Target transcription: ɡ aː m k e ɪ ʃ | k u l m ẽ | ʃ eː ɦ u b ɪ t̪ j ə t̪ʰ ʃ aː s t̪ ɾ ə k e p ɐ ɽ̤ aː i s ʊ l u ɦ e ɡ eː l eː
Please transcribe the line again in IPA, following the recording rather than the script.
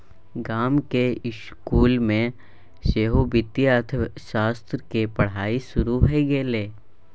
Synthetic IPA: ɡ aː m k e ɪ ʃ | k uː l m ẽ | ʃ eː ɦ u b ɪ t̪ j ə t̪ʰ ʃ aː s t̪ ɾ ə k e p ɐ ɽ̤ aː i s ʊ ɾ u ɦ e ɡ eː l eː